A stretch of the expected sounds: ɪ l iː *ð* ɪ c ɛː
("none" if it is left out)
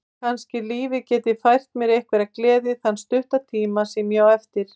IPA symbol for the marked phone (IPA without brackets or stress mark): v